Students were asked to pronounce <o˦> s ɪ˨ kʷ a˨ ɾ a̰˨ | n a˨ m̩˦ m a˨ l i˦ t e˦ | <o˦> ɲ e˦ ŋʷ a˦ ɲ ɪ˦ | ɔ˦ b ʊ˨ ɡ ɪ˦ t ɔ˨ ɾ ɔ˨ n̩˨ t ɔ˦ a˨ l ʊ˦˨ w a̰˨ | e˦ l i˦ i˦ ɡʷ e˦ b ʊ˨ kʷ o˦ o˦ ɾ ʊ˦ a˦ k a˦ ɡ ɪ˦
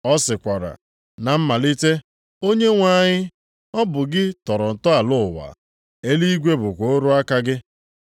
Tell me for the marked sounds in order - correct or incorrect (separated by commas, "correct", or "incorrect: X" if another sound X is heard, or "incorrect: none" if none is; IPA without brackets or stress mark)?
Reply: incorrect: ɔ˦, correct